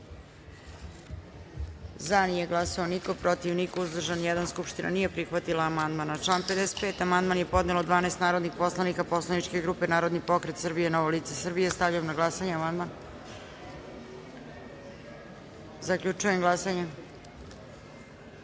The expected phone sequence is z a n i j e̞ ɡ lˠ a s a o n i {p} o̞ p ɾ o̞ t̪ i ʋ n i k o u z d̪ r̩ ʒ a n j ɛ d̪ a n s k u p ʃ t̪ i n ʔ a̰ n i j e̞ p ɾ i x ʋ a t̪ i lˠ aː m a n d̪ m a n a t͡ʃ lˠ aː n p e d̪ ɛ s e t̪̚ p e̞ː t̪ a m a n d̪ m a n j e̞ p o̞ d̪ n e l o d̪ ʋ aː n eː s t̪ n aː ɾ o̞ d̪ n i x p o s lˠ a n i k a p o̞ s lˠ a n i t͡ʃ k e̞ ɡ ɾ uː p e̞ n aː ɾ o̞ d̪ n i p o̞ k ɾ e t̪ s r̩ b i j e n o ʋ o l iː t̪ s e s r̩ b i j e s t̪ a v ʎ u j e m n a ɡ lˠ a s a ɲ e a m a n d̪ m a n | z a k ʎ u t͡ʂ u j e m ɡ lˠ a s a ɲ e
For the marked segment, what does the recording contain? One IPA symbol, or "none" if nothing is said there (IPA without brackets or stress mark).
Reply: k